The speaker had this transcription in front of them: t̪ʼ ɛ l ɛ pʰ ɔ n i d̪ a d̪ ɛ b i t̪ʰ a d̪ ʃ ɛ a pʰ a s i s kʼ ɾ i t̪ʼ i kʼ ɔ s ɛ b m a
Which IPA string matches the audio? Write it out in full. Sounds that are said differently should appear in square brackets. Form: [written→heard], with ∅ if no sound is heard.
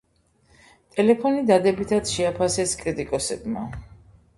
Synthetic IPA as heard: t̪ʼ ɛ l ɛ pʰ ɔ n i d̪ a d̪ ɛ b i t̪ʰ a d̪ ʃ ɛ a pʰ a s [i→ɛ] s kʼ ɾ i t̪ʼ i kʼ ɔ s ɛ b m a